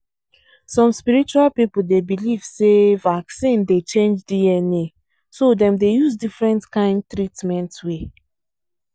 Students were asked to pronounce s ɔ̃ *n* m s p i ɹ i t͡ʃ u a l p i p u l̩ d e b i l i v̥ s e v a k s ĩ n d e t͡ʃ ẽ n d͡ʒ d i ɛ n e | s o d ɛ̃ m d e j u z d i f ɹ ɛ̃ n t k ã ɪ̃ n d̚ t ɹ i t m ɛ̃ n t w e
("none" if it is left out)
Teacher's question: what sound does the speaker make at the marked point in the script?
none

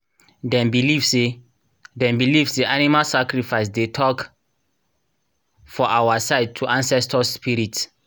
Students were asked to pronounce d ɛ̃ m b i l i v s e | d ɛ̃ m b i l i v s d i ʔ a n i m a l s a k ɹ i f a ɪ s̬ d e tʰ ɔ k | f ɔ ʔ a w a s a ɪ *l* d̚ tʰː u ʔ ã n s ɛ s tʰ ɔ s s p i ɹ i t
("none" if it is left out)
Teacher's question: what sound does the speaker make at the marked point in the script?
none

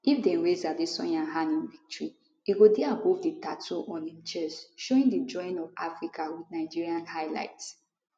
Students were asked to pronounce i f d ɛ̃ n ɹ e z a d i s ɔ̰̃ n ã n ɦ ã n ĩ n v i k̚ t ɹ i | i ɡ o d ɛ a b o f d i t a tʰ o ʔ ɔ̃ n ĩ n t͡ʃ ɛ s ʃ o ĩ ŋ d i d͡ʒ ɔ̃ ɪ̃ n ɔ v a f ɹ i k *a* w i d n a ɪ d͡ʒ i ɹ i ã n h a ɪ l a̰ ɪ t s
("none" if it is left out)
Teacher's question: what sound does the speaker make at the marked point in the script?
a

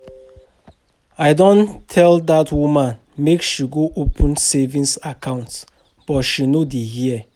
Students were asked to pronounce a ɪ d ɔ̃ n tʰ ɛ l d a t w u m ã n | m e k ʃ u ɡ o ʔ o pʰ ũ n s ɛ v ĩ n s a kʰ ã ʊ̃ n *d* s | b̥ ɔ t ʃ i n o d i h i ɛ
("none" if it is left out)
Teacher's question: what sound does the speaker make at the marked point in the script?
t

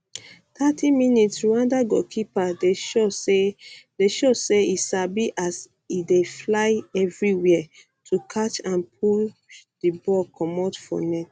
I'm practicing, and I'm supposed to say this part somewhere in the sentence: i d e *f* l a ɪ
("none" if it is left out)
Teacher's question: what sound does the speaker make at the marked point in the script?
f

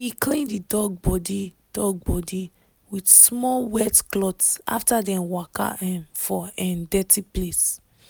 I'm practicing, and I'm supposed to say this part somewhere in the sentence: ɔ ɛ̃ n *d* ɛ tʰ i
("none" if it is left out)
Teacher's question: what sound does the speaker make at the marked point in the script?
d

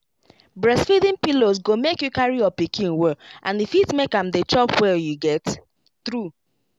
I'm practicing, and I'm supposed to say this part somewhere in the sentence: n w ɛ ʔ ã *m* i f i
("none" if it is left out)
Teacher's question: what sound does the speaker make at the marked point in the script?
n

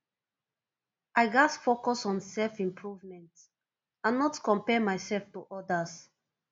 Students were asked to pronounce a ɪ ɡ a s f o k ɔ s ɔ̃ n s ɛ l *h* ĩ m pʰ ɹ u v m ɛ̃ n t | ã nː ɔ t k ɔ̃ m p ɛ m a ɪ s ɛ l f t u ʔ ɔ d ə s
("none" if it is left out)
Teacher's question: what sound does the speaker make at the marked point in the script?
f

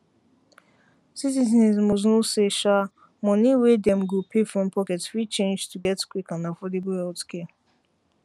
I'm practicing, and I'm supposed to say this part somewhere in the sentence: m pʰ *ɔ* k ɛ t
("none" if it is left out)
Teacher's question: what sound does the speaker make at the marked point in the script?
ɔ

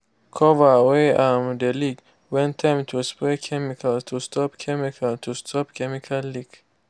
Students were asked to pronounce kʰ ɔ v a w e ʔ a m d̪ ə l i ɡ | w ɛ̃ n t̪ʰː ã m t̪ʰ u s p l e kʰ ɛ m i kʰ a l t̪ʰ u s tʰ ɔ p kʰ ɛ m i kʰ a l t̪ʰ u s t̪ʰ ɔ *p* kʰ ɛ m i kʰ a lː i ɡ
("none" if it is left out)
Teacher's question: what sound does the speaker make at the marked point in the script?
p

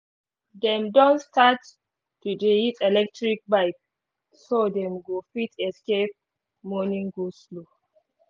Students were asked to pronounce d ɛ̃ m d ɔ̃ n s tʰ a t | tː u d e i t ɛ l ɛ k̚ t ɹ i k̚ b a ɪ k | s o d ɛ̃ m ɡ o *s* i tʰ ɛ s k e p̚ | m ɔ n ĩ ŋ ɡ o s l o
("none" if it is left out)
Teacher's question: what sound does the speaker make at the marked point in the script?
f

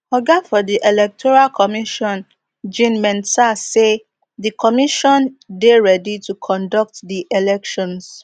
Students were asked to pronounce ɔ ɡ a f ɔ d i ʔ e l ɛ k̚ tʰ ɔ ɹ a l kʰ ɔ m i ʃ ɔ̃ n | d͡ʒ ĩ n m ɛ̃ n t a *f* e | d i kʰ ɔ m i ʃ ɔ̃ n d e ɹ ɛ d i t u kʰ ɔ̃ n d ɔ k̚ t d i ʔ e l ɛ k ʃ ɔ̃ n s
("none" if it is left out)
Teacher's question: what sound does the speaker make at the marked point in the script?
s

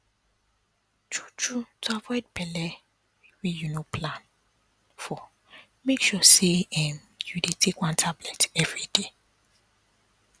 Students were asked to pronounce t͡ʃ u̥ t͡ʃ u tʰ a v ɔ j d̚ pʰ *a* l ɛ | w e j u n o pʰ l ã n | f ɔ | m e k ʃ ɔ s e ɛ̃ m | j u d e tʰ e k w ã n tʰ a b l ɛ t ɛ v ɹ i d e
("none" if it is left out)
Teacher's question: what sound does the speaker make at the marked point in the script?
ɛ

